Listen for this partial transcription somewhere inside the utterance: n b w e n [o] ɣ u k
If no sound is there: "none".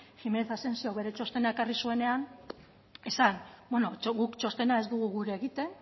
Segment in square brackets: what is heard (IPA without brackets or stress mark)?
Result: o